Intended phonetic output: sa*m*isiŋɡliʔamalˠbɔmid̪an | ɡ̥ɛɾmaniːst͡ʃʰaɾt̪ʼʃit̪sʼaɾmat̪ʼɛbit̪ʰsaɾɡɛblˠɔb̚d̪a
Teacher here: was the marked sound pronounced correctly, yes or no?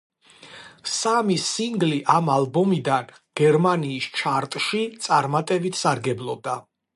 yes